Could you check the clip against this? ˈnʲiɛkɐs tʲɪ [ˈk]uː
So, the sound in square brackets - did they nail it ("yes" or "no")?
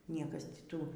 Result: no